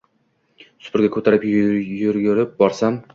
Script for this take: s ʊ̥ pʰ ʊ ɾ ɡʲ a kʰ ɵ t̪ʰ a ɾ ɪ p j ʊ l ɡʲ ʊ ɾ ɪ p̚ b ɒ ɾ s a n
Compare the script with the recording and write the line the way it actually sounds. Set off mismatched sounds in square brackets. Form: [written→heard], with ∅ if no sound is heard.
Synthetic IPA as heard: s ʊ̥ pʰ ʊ ɾ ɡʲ a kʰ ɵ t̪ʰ a ɾ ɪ p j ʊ [l→ɾ] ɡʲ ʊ ɾ ɪ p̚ b ɒ ɾ s a [n→m]